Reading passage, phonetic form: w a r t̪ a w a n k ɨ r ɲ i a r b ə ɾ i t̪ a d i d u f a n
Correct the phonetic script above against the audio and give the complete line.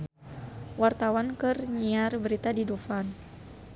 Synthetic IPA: w a r t̪ a w a n k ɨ r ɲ i a r b ə ɾ i t̪ a d i d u f a n